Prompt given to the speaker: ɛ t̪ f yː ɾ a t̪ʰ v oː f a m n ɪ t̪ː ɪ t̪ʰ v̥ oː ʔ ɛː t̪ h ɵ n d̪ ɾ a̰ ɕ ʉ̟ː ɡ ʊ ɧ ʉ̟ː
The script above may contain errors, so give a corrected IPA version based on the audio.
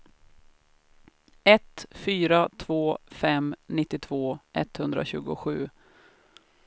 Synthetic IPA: ɛ t̪ f yː ɾ a t̪ʰ v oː f ɛ m n ɪ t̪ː ɪ t̪ʰ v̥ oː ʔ ɛ t̪ h ɵ n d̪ ɾ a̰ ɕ ʉ̟ː ɡ ʊ ɧ ʉ̟ː